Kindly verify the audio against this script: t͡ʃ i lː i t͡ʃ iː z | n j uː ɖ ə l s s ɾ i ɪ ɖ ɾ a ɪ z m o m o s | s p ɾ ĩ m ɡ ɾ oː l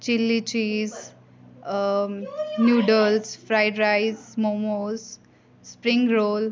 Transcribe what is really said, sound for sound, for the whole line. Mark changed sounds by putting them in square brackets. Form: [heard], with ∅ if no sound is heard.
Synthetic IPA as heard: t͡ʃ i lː i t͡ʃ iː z | n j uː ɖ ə l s [f] ɾ [a] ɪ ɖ ɾ a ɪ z m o m o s | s p ɾ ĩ [ŋ] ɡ ɾ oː l